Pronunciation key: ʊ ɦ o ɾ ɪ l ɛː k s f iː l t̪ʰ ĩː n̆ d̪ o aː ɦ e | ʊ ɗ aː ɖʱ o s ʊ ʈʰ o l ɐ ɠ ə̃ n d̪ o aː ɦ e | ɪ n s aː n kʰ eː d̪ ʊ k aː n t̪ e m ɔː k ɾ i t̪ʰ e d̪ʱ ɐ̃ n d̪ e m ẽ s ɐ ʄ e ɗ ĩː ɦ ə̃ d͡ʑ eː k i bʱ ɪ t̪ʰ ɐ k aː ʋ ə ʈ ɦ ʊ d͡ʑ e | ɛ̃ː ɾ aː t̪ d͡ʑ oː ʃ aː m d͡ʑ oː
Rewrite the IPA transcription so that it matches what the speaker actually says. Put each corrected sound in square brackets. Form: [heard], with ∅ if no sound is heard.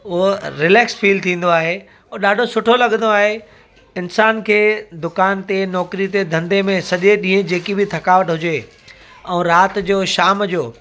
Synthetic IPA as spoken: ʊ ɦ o ɾ ɪ l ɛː k s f iː l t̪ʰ ĩː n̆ d̪ o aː ɦ e | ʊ ɗ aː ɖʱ o s ʊ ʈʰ o l ɐ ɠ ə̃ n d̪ o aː ɦ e | ɪ n s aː n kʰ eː d̪ ʊ k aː n t̪ e [n] ɔː k ɾ i [t̪] e d̪ʱ ɐ̃ n d̪ e m ẽ s ɐ ʄ e ɗ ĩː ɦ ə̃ d͡ʑ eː k i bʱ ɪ t̪ʰ ɐ k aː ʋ ə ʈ ɦ ʊ d͡ʑ e | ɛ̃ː ɾ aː t̪ d͡ʑ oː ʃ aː m d͡ʑ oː